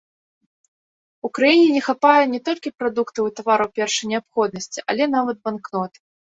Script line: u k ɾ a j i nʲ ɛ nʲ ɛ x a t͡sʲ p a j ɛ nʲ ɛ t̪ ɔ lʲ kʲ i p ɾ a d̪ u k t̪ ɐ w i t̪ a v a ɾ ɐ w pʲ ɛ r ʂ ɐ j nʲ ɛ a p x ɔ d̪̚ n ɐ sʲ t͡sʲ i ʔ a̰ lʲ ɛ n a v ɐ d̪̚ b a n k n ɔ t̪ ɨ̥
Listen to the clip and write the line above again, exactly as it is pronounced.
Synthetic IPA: u k ɾ a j i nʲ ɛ nʲ ɛ x a p a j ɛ nʲ ɛ t̪ ɔ lʲ kʲ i p ɾ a d̪ u k t̪ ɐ w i t̪ a v a ɾ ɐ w pʲ ɛ r ʂ ɐ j nʲ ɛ a p x ɔ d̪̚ n ɐ sʲ t͡sʲ i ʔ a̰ lʲ ɛ n a v ɐ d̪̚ b a n k n ɔ t̪ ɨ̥